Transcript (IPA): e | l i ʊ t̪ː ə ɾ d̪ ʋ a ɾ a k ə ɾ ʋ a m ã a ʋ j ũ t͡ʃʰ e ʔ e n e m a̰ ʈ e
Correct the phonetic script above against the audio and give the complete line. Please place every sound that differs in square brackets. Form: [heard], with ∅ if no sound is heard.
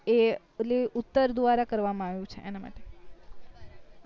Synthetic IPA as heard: e | l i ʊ t̪ː ə ɾ d̪ ʋ a ɾ a k ə ɾ ʋ a m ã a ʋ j ũ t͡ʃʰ e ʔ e n [a] m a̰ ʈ e